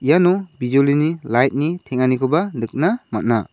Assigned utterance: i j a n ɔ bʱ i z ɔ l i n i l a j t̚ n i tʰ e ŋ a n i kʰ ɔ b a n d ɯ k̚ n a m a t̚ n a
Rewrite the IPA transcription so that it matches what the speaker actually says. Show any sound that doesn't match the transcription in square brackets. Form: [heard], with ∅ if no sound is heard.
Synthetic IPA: i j a n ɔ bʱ i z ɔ l i n i l a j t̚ n i tʰ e ŋ a n i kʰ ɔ b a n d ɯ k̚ n a m a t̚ n a